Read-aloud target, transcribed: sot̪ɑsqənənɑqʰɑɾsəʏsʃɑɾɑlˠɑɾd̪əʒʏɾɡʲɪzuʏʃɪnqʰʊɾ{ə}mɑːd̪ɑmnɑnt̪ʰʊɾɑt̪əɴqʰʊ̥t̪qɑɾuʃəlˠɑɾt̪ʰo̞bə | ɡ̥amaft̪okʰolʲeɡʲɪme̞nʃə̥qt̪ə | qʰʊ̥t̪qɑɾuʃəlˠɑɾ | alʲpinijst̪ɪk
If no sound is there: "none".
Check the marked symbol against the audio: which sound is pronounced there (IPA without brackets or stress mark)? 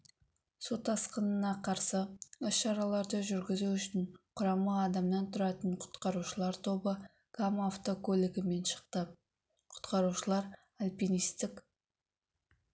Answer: ɑ